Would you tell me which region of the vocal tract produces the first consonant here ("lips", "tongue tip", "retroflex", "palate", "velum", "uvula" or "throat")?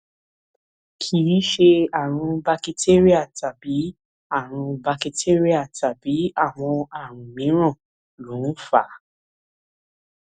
velum